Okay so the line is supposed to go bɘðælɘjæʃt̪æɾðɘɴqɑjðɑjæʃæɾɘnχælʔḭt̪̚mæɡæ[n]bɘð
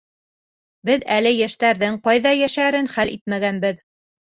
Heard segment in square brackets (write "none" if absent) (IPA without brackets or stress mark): n